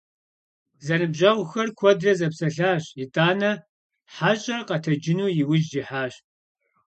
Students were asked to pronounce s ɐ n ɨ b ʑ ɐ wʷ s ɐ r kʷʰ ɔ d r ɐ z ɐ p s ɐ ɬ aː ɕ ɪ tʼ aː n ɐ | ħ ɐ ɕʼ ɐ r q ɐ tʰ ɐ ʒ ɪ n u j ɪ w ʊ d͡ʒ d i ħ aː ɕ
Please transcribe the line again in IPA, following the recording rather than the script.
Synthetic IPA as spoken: z ɐ n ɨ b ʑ ɐ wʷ x ɐ r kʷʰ ɔ d r ɐ z ɐ p s ɐ ɬ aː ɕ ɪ tʼ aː n ɐ | ħ a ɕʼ ɐ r q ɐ tʰ ɐ d͡ʒ ɪ n uː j ɪ w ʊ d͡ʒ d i ħ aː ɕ